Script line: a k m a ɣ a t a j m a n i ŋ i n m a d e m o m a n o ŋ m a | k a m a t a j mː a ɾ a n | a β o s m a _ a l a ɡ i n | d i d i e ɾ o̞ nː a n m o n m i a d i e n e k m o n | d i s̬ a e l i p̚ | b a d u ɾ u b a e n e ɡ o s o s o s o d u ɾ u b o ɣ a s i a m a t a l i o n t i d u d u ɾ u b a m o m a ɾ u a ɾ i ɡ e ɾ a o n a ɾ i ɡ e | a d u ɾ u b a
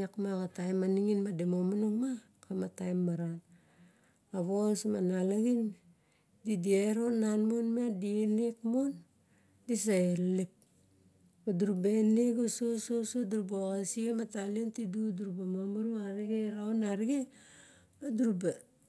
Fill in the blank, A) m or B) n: B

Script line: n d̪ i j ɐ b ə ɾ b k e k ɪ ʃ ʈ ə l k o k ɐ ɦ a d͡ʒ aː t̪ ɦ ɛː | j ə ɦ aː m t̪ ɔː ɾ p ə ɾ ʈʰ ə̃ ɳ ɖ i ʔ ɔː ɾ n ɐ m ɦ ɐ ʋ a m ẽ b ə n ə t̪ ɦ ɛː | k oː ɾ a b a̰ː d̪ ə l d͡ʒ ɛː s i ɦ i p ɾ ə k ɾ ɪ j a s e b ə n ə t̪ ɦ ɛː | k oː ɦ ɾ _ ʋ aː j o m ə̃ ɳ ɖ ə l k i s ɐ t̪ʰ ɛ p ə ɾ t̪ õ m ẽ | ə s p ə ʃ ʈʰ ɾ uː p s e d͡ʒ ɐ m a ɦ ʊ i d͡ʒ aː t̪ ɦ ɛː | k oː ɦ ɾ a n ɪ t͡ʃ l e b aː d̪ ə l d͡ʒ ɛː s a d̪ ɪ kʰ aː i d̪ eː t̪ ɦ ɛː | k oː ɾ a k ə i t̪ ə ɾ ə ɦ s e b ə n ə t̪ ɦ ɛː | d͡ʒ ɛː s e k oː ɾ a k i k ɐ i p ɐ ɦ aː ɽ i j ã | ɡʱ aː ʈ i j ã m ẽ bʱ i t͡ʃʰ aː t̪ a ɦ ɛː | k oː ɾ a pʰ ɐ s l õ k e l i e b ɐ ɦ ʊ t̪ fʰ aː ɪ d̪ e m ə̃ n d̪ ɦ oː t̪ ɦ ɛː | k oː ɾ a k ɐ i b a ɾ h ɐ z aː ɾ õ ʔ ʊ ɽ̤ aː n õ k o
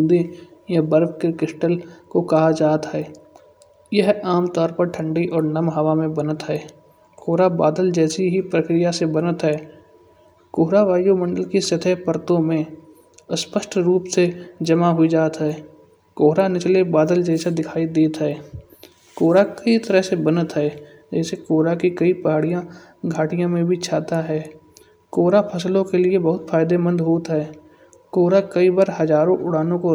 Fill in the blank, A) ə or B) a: B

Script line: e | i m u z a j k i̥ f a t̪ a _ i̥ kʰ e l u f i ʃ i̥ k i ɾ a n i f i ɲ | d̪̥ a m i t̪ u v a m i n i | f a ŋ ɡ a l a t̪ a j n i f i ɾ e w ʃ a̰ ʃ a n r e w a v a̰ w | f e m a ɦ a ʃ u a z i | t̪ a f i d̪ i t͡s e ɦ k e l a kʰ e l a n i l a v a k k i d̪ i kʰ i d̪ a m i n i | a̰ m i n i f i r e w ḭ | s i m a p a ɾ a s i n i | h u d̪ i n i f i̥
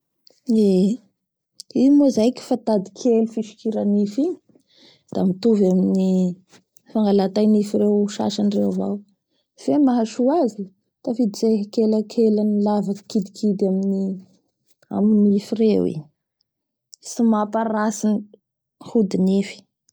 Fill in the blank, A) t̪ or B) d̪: B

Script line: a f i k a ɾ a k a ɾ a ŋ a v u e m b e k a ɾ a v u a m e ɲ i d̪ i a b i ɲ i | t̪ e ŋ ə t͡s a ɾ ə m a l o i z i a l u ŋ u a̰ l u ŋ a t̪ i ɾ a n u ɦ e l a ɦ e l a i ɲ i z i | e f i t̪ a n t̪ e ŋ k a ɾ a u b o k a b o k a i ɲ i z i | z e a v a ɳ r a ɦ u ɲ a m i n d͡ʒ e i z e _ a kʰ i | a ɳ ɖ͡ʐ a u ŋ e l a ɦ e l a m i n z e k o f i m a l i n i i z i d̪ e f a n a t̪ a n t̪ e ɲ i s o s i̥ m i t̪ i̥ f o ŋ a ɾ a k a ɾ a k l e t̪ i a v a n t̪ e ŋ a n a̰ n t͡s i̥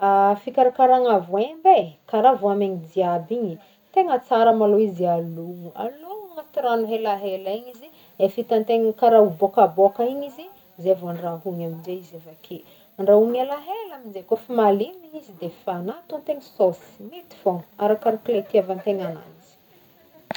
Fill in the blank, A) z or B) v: B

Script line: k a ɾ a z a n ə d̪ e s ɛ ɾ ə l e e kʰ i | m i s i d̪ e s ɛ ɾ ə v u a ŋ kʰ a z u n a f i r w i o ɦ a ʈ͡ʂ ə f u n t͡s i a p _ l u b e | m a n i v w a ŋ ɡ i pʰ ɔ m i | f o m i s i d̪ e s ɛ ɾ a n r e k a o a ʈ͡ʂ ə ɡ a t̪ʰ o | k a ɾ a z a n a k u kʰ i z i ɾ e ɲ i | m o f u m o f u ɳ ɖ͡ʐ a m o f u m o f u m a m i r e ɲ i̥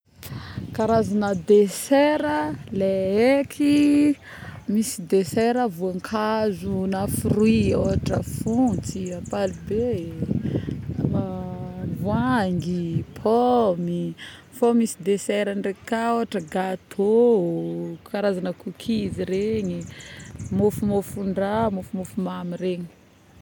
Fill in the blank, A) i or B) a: B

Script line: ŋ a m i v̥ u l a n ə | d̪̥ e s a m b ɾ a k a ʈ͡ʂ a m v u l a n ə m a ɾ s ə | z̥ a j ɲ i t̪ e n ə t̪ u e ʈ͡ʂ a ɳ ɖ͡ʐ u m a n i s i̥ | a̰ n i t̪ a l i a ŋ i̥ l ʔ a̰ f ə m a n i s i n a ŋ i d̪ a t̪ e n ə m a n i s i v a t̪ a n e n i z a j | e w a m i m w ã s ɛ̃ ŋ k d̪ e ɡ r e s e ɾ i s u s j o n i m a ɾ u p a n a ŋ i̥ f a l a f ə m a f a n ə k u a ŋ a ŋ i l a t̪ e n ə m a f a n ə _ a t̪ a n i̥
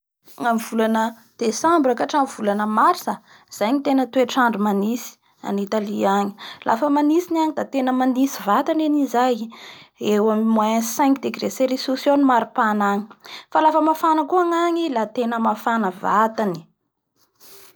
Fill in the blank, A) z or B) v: B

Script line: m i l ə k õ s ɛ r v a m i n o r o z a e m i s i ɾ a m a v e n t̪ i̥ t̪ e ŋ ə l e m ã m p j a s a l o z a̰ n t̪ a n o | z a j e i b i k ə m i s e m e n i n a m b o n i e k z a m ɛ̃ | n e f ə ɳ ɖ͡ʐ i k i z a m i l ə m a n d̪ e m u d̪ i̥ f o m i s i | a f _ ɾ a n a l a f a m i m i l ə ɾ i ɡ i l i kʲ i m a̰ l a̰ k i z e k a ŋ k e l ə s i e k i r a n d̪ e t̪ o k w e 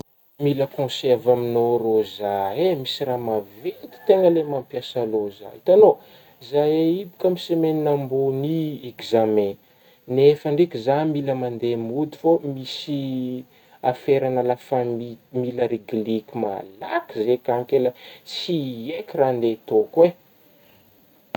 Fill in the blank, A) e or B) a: A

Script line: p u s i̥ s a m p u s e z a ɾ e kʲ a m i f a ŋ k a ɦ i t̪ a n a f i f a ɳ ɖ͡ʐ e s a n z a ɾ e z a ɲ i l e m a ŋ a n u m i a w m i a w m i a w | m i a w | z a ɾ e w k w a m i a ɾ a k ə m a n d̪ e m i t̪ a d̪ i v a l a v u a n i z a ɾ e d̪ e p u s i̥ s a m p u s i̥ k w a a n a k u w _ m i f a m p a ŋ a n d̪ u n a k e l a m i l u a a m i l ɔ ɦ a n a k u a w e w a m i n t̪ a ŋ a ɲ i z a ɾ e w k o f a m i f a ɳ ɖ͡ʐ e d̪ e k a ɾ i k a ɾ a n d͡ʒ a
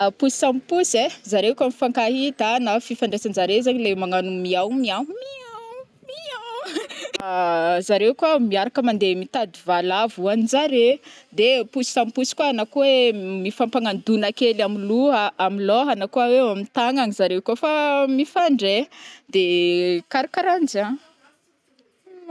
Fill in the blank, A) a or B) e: B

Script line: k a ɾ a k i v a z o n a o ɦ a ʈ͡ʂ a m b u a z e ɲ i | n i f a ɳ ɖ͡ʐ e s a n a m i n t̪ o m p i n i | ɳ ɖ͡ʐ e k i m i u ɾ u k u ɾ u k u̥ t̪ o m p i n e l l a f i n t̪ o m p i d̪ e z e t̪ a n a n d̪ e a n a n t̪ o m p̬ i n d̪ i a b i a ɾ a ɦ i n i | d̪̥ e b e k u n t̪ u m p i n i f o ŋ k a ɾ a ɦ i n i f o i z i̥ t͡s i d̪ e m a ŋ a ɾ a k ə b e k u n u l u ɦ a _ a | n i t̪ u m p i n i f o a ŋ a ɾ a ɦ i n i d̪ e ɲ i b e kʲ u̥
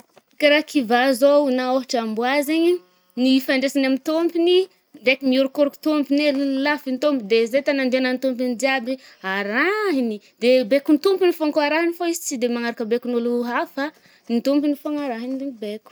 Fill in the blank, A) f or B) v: A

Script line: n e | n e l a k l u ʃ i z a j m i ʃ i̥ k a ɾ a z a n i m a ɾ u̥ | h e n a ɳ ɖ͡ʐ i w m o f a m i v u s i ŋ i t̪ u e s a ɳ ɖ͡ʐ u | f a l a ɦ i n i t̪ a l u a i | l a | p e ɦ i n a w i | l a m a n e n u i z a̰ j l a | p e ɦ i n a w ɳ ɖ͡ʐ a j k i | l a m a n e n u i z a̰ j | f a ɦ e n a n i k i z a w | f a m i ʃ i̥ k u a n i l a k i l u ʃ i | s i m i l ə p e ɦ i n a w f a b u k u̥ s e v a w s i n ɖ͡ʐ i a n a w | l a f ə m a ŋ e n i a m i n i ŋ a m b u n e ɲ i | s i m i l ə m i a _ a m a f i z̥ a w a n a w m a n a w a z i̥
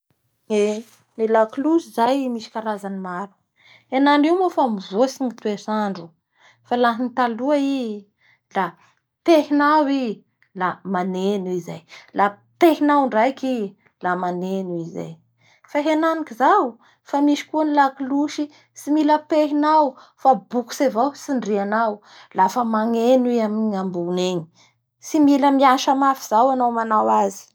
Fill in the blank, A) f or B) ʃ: B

